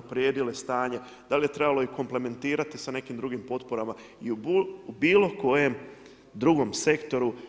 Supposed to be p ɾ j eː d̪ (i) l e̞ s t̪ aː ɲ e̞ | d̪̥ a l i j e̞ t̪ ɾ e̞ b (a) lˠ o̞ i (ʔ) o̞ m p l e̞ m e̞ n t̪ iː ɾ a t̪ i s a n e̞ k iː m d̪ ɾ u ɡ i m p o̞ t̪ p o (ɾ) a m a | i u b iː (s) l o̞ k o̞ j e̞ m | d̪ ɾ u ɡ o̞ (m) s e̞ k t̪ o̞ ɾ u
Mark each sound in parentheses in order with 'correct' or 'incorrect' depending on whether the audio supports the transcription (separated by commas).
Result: correct, correct, incorrect, correct, incorrect, correct